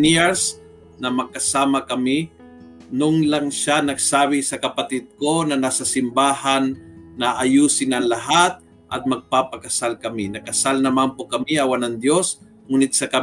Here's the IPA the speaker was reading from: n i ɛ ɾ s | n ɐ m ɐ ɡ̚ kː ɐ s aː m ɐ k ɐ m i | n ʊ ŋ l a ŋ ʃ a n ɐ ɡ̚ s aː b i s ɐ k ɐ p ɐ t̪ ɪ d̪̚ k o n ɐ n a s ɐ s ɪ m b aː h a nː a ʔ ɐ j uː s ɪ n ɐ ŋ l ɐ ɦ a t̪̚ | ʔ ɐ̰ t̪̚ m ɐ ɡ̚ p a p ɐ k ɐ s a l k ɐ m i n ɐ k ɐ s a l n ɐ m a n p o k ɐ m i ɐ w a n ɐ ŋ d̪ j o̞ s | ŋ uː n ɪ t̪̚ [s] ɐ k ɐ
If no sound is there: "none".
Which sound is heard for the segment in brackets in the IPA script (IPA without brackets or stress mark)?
s